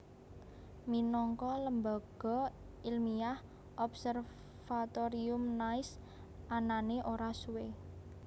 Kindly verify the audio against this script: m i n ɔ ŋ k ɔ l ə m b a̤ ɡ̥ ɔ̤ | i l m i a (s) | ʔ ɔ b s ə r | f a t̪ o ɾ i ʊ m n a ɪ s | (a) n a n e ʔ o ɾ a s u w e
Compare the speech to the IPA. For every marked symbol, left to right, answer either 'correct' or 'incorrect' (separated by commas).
incorrect, correct